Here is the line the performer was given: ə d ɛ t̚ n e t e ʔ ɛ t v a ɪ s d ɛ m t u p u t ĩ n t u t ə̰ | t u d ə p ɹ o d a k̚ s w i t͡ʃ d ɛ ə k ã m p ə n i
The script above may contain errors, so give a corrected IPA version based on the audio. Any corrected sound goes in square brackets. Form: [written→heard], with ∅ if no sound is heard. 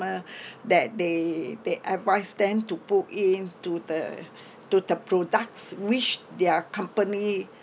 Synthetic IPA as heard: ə d ɛ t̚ [n→d] e [t→d] e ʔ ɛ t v a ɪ s d [ɛ→ɛ̃] m t u p u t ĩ n t u [t→d] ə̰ | t u d ə p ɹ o d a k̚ s w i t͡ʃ d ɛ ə k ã m p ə n i

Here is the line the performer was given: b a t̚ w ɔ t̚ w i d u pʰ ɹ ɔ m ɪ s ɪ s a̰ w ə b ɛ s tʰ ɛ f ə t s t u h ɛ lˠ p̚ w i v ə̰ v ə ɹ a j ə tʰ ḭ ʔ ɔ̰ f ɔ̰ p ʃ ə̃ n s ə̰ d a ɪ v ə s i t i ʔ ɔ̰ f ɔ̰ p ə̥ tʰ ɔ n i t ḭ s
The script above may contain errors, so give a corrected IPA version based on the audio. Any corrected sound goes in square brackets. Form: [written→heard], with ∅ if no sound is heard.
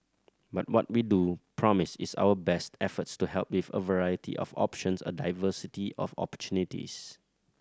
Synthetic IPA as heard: b a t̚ w ɔ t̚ w i d u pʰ ɹ ɔ m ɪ s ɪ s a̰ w ə b ɛ s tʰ ɛ f ə t s t u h ɛ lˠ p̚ w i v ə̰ v ə ɹ a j ə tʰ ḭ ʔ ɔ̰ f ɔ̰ p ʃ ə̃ n s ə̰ d a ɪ v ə s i t i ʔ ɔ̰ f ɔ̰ p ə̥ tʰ [ɔ→u] n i t ḭ s

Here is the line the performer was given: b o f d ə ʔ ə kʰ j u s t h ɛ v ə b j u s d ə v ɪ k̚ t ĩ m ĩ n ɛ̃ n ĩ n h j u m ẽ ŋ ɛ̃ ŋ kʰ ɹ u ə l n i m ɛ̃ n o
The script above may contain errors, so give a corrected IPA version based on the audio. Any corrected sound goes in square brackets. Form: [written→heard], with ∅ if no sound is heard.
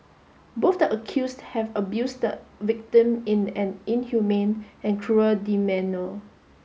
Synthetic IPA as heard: b o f d ə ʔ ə kʰ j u s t h ɛ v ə b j u s d ə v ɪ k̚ t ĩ m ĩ n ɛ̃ n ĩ n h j u m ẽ [ŋ→n] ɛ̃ [ŋ→n] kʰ ɹ u ə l [n→d] i m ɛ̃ n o

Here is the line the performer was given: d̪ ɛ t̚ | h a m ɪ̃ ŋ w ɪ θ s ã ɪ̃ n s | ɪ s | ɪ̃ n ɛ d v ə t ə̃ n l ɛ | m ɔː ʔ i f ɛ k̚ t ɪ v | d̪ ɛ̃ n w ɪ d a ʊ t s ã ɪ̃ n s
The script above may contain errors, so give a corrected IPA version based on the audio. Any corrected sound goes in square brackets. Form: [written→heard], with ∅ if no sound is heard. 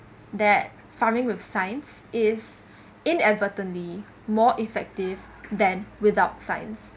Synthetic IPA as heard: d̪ ɛ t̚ | [h→f] a m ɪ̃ ŋ w ɪ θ s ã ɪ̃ n s | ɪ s | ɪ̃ n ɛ d v ə t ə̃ n l [ɛ→i] | m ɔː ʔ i f ɛ k̚ t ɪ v | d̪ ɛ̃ n w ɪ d a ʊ t s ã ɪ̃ n s

